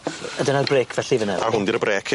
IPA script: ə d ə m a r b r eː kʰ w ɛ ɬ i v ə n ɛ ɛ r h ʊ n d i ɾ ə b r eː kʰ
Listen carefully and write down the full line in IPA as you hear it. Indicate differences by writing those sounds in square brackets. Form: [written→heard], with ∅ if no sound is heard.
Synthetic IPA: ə d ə [m→n] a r b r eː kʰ [w→v] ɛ ɬ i v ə n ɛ [ɛ→a] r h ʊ n d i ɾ ə b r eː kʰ